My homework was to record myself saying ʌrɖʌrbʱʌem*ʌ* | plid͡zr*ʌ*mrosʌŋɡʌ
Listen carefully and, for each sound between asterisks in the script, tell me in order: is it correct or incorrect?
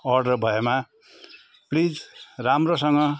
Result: incorrect: a, incorrect: a

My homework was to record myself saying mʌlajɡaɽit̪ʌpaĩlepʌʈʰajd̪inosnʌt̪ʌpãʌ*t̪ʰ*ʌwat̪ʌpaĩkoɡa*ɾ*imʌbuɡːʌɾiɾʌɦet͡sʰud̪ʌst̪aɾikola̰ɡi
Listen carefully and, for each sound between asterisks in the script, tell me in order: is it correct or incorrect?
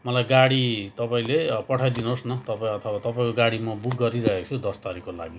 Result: correct, incorrect: ɽ

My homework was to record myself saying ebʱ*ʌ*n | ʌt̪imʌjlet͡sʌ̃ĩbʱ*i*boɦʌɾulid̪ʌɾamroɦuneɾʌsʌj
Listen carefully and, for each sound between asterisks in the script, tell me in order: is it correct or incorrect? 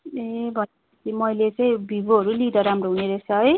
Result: correct, correct

